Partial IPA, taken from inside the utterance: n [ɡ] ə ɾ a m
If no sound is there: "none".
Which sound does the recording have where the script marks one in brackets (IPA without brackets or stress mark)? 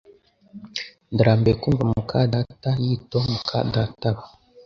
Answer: d